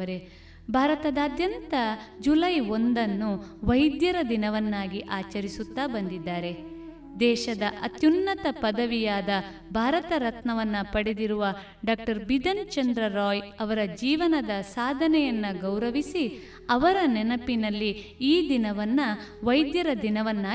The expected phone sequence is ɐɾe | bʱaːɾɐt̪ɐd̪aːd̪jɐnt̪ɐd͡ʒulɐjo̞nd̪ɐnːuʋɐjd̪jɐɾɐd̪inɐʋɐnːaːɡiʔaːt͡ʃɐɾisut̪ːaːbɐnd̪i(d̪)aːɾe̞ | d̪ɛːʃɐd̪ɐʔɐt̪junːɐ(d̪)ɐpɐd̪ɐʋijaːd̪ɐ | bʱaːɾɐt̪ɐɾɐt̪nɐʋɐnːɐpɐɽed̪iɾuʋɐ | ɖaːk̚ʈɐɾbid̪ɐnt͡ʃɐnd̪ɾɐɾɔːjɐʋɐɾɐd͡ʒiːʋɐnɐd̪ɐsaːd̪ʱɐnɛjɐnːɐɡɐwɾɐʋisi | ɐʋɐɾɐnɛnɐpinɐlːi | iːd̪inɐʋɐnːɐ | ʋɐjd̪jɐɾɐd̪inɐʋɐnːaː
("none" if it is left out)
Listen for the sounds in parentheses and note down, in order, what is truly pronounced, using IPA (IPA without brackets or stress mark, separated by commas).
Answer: d̪ː, t̪